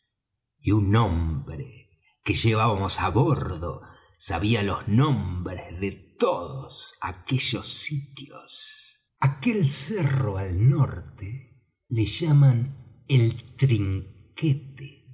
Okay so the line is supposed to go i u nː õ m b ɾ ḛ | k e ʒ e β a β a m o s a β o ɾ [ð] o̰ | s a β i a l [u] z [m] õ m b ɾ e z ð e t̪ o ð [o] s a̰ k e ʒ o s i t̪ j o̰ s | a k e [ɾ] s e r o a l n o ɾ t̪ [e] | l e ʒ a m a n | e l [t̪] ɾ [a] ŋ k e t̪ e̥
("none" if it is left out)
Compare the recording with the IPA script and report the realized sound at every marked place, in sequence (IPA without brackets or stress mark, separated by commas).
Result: ð, o, n, o, l, e, t̪, i